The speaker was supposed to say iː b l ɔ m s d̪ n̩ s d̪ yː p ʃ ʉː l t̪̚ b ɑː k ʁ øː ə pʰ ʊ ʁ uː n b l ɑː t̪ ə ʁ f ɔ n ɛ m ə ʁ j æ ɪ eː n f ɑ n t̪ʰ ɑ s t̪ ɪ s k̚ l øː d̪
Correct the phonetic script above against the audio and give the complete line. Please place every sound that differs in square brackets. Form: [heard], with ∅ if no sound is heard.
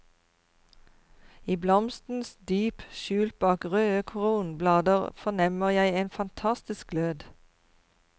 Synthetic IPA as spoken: iː b l ɔ m s [t̪] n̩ s d̪ yː p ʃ ʉː l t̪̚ b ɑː k ʁ øː ə [kʰ] ʊ ʁ uː n b l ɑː [d̪] ə ʁ f ɔ n ɛ m ə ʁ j æ ɪ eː n f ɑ n t̪ʰ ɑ s t̪ ɪ s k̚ l øː d̪